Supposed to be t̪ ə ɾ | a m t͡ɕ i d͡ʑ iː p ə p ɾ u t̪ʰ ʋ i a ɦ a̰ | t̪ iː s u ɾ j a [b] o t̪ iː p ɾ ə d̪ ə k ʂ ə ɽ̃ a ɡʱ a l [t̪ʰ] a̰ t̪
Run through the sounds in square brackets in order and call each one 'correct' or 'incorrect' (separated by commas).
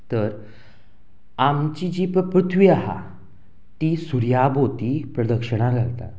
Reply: correct, incorrect